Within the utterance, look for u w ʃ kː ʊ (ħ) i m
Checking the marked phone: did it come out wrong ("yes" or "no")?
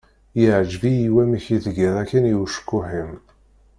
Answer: no